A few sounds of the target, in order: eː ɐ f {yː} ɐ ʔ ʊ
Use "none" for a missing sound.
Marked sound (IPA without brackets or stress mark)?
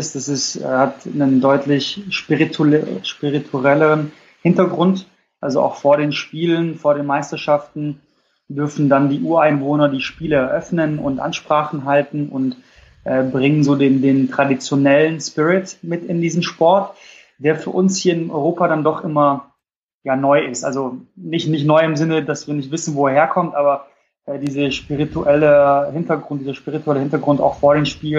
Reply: yː